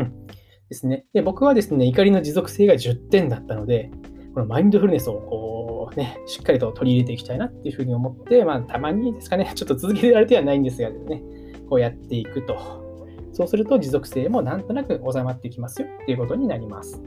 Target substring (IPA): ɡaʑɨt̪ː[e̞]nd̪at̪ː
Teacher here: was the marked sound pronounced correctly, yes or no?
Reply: no